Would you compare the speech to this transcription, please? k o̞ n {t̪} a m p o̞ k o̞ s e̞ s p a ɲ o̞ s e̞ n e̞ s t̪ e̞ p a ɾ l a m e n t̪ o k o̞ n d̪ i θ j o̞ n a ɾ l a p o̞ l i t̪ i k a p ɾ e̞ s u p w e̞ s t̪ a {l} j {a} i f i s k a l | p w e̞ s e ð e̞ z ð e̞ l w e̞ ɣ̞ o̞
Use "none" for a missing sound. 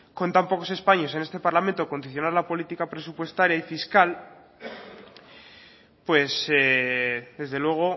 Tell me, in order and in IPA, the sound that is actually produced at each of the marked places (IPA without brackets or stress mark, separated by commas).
t̪, ɾ, a